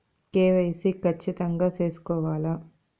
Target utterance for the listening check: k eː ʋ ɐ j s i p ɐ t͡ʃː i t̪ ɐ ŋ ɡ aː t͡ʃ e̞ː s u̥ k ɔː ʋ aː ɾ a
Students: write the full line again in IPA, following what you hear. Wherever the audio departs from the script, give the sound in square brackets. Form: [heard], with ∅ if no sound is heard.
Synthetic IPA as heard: k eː ʋ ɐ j s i [k] ɐ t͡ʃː i t̪ ɐ ŋ ɡ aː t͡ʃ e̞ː s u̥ k ɔː ʋ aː [l] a